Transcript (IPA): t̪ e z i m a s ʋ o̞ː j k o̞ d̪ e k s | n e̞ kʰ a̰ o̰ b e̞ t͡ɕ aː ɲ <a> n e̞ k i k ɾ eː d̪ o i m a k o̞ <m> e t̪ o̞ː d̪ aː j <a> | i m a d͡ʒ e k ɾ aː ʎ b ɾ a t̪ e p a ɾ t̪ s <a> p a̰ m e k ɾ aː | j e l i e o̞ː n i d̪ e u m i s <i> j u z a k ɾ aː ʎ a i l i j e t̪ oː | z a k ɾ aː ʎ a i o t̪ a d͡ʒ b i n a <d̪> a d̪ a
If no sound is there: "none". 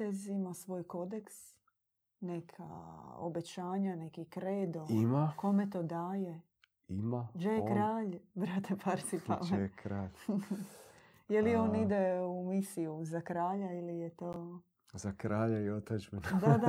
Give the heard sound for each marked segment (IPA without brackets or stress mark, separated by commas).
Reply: a, m, e, i, i, d̪